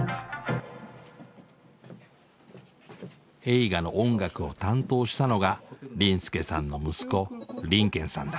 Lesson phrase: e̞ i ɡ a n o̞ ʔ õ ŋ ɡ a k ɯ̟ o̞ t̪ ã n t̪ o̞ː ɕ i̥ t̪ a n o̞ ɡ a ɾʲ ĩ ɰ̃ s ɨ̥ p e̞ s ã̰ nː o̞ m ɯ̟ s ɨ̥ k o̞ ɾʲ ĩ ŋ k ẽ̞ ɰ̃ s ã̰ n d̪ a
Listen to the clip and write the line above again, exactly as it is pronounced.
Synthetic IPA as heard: e̞ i ɡ a n o̞ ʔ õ ŋ ɡ a k ɯ̟ o̞ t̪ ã n t̪ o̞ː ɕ i̥ t̪ a n o̞ ɡ a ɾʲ ĩ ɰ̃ s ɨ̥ k e̞ s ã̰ nː o̞ m ɯ̟ s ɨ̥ k o̞ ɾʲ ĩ ŋ k ẽ̞ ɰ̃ s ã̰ n d̪ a

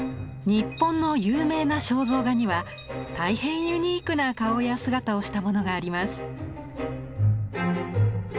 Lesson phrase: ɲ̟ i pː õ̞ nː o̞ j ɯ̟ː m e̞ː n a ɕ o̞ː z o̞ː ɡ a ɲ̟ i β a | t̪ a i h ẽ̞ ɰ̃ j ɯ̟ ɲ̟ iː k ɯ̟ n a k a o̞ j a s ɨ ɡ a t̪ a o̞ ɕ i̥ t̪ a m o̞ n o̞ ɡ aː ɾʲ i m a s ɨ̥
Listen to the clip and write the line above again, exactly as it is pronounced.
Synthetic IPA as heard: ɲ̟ i pː õ̞ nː o̞ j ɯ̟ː m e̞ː n a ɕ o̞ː z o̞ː ɡ a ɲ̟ i β a | t̪ a i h ẽ̞ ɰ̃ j ɯ̟ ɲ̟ iː k ɯ̟ n a k a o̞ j a s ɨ ɡ a t̪ a o̞ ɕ i̥ t̪ a m o̞ n o̞ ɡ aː ɾʲ i m a s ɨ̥

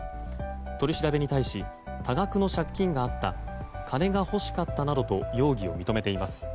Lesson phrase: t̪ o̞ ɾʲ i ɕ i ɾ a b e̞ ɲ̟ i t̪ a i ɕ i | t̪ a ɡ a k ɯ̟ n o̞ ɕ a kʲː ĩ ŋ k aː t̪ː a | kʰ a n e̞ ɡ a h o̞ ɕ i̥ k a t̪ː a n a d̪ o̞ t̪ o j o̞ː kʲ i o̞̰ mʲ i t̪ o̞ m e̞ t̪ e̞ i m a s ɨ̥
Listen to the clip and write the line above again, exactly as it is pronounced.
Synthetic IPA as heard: t̪ o̞ ɾʲ i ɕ i ɾ a b e̞ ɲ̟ i t̪ a i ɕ i | t̪ a ɡ a k ɯ̟ n o̞ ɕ a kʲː ĩ ŋ ɡ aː t̪ː a | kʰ a n e̞ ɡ a h o̞ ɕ i̥ k a t̪ː a n a d̪ o̞ t̪ o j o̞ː ɡʲ i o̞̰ mʲ i t̪ o̞ m e̞ t̪ e̞ i m a s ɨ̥

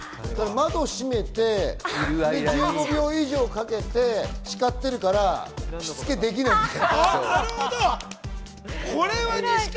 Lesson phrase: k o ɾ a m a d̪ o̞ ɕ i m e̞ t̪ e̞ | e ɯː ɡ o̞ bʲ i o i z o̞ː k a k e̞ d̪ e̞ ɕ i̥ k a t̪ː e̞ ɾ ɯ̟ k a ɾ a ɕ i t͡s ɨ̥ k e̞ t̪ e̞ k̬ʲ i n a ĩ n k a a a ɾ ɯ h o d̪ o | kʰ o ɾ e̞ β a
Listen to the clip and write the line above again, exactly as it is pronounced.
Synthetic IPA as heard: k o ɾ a m a d̪ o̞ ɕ i m e̞ t̪ e̞ | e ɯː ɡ o̞ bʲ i o i ʑ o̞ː k a k e̞ t̪ e̞ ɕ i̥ k a t̪ː e̞ ɾ ɯ̟ k a ɾ a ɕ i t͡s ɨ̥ k e̞ d̪ e̞ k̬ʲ i n a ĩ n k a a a ɾ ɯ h o d̪ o | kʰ o ɾ e̞ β a

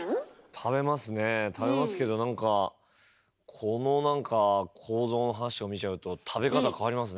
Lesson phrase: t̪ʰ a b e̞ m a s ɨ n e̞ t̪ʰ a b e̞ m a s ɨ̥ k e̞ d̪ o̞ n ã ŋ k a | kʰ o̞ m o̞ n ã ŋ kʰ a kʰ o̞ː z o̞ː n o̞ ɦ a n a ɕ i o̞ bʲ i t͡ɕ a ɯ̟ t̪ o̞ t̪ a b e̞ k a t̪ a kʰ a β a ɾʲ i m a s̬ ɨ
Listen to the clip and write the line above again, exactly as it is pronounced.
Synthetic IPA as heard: t̪ʰ a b e̞ m a s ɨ n e̞ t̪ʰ a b e̞ m a s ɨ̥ k e̞ d̪ o̞ n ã ŋ k a | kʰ o̞ n o̞ n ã ŋ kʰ a kʰ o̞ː z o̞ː n o̞ ɦ a n a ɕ i o̞ mʲ i t͡ɕ a ɯ̟ t̪ o̞ t̪ʰ a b e̞ k a t̪ a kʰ a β a ɾʲ i m a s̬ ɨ

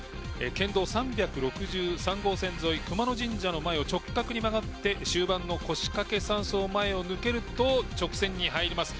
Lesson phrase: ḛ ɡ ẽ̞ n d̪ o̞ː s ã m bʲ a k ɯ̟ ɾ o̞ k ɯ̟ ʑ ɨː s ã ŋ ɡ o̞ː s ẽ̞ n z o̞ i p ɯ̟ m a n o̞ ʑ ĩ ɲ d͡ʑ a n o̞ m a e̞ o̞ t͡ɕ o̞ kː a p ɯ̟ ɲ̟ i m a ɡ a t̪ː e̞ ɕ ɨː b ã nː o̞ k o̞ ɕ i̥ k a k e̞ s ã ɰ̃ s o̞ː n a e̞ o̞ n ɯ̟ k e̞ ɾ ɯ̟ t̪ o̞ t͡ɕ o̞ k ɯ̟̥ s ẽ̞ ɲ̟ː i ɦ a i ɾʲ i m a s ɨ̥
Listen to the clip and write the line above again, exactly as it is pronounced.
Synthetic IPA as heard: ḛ k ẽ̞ n d̪ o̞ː s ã m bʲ a k ɯ̟ ɾ o̞ k ɯ̟ ʑ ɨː s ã ŋ ɡ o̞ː s ẽ̞ n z o̞ i k ɯ̟ m a n o̞ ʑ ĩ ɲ d͡ʑ a n o̞ m a e̞ o̞ t͡ɕ o̞ kː a k ɯ̟ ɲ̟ i m a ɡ a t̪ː e̞ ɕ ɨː b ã nː o̞ k o̞ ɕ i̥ k a k e̞ s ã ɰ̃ s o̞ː m a e̞ o̞ n ɯ̟ k e̞ ɾ ɯ̟ t̪ o̞ t͡ɕ o̞ k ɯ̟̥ s ẽ̞ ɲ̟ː i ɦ a i ɾʲ i m a s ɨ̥

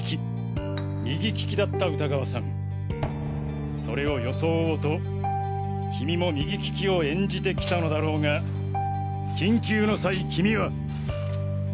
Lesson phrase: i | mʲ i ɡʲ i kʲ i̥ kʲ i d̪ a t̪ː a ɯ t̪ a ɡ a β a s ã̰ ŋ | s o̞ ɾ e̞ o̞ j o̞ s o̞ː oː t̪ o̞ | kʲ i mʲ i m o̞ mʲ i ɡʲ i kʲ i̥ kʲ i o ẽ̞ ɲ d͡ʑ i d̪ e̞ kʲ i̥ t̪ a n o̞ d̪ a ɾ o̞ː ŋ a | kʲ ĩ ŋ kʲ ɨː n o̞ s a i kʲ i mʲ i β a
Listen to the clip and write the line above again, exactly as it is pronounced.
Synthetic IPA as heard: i | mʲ i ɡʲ i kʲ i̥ kʲ i d̪ a t̪ː a ɯ t̪ a ɡ a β a s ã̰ ŋ | s o̞ ɾ e̞ o̞ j o̞ s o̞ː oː t̪ o̞ | kʲ i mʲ i m o̞ mʲ i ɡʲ i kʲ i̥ kʲ i o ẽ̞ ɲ d͡ʑ i t̪ e̞ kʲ i̥ t̪ a n o̞ d̪ a ɾ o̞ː ŋ a | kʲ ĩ ŋ kʲ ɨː n o̞ s a i kʲ i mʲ i β a

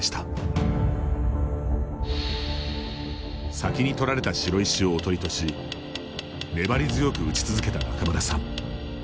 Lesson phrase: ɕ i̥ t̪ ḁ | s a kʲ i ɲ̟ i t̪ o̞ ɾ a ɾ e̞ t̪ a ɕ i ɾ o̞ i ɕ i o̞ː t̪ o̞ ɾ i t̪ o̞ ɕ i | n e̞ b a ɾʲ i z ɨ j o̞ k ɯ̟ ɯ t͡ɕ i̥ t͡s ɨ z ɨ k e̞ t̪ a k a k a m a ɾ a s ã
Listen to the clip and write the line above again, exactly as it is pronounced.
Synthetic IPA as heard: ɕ i̥ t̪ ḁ | s a kʲ i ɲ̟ i t̪ o̞ ɾ a ɾ e̞ t̪ a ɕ i ɾ o̞ i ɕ i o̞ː t̪ o̞ ɾ i t̪ o̞ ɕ i | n e̞ b a ɾʲ i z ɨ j o̞ k ɯ̟ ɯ t͡ɕ i̥ t͡s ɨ z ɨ k e̞ t̪ a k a k a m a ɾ a s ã

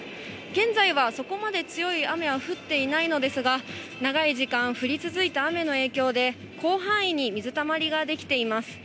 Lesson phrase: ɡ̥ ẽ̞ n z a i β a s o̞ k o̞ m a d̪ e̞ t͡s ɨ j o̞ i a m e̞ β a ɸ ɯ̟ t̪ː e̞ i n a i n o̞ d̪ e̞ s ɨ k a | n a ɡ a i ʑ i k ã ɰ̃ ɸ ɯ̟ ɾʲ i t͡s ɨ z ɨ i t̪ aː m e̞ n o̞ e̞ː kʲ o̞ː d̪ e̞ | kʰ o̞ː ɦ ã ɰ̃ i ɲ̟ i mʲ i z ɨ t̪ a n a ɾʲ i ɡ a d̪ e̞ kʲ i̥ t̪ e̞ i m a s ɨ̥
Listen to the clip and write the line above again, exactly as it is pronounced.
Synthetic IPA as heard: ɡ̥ ẽ̞ n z a i β a s o̞ k o̞ m a d̪ e̞ t͡s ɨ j o̞ i a m e̞ β a ɸ ɯ̟ t̪ː e̞ i n a i n o̞ d̪ e̞ s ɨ ɡ a | n a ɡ a i ʑ i k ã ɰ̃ ɸ ɯ̟ ɾʲ i t͡s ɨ z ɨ i t̪ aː m e̞ n o̞ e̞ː kʲ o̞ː d̪ e̞ | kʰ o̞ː ɦ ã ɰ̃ i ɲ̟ i mʲ i z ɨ t̪ a m a ɾʲ i ɡ a d̪ e̞ kʲ i̥ t̪ e̞ i m a s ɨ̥

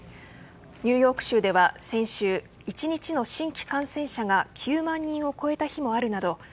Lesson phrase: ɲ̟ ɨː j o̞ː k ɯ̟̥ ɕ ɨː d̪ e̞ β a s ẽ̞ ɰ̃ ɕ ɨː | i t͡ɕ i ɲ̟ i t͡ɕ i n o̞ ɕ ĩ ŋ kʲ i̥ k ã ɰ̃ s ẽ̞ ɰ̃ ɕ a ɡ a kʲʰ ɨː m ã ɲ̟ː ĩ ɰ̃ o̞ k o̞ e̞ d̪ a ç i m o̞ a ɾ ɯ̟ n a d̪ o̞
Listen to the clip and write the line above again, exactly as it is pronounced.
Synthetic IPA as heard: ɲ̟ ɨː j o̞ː k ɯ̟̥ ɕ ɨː d̪ e̞ β a s ẽ̞ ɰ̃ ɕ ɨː | i t͡ɕ i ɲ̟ i t͡ɕ i n o̞ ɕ ĩ ŋ kʲ i̥ k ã ɰ̃ s ẽ̞ ɰ̃ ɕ a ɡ a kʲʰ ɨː m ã ɲ̟ː ĩ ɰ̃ o̞ k o̞ e̞ t̪ a ç i m o̞ a ɾ ɯ̟ n a d̪ o̞

